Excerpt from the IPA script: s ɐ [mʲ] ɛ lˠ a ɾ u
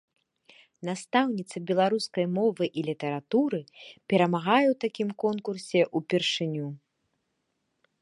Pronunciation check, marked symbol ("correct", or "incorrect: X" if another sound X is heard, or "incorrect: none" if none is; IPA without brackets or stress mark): incorrect: bʲ